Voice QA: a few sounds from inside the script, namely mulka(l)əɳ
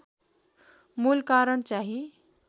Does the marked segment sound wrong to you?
yes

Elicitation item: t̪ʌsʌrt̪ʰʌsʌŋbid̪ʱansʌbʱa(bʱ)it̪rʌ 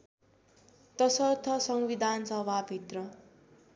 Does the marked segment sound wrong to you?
no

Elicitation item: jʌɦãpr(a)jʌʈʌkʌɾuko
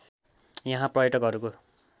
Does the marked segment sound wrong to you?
yes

